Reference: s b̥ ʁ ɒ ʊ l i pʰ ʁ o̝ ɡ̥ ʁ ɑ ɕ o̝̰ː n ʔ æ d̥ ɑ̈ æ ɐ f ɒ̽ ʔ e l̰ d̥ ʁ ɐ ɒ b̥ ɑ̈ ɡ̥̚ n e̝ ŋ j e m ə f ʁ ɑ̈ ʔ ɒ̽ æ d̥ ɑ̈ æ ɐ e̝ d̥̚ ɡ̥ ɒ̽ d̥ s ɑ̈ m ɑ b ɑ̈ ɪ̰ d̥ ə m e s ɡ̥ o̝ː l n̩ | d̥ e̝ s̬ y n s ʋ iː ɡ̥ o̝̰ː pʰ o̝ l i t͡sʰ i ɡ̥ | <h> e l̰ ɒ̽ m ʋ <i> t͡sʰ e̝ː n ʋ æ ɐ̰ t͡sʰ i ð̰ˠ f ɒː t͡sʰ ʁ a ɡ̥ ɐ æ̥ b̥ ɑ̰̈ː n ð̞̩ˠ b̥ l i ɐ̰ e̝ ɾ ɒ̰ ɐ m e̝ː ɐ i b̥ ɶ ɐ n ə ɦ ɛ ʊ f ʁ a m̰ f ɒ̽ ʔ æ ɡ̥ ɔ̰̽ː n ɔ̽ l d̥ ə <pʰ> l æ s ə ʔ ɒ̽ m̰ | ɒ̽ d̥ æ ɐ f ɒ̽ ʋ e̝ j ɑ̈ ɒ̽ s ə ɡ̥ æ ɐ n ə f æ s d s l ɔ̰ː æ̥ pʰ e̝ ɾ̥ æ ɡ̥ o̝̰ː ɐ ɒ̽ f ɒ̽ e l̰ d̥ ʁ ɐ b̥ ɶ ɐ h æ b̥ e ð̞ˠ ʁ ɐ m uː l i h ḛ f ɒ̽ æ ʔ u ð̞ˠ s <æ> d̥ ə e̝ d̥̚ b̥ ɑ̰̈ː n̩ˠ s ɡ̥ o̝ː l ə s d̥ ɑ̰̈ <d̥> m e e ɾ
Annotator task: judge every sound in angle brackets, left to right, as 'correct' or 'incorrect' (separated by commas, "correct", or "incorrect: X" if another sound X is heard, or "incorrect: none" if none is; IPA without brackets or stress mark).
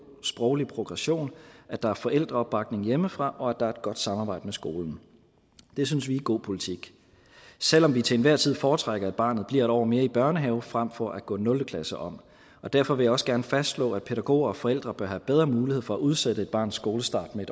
incorrect: s, correct, incorrect: kʰ, incorrect: e, correct